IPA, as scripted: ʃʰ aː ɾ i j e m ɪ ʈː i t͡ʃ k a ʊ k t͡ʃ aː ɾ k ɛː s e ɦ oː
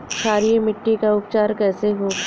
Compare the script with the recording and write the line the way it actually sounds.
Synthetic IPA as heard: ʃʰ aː ɾ i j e m ɪ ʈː i k a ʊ p t͡ʃ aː ɾ k ɛː s e ɦ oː